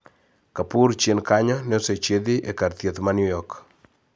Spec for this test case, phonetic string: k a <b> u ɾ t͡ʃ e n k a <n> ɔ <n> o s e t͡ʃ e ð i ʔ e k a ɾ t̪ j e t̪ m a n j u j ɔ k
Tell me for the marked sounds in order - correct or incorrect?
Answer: incorrect, incorrect, correct

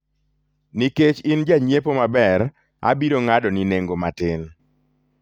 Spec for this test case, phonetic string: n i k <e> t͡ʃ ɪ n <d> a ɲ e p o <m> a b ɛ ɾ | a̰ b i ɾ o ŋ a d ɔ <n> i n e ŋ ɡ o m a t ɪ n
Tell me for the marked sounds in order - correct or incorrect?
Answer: correct, incorrect, correct, correct

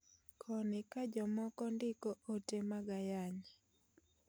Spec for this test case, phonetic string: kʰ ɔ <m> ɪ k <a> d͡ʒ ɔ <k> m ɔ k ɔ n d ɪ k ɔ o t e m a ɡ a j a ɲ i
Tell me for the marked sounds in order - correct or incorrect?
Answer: incorrect, correct, incorrect

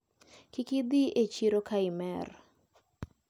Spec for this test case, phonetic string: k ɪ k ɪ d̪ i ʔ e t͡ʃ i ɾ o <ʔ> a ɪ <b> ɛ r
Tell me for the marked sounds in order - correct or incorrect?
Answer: incorrect, incorrect

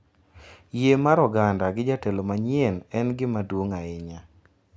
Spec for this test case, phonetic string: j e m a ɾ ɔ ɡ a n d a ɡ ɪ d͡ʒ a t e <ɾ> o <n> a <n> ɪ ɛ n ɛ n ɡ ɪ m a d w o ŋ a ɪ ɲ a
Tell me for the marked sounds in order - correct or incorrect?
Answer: incorrect, incorrect, incorrect

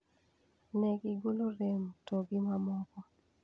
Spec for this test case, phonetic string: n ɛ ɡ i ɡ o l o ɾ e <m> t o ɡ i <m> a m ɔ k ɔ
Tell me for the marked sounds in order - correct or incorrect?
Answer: correct, correct

